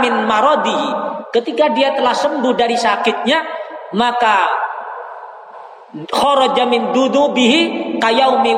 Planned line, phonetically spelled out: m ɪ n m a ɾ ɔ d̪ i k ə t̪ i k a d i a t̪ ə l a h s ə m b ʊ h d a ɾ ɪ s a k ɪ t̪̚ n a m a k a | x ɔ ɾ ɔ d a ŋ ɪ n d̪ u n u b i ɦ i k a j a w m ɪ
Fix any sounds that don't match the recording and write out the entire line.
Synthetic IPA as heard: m ɪ n m a ɾ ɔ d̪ i k ə t̪ i k a d i a t̪ ə l a h s ə m b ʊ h d a ɾ i s a k ɪ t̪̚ ɲ a m a k a | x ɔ ɾ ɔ d͡ʒ a m ɪ n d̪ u n u b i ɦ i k a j a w m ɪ